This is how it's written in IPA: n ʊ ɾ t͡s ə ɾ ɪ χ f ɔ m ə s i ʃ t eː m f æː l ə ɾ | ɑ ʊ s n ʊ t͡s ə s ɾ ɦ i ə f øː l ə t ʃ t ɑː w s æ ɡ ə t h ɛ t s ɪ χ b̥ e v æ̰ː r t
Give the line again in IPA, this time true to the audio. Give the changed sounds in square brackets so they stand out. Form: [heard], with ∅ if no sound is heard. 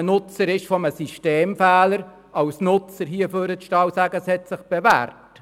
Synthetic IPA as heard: n ʊ [∅] t͡s ə ɾ ɪ [ʃ] f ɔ m ə s i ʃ t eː m f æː l ə ɾ | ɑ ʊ s n ʊ t͡s ə [∅] ɾ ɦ i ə f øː [ɾ] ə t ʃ t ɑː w s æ ɡ ə [s] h ɛ t s ɪ χ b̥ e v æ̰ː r t